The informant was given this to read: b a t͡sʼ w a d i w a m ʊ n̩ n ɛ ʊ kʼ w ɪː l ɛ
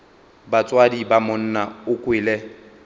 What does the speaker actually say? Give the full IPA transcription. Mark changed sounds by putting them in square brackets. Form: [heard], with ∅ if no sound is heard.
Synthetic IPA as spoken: b a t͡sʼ w a d i [b] a m ʊ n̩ n [a] ʊ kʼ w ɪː l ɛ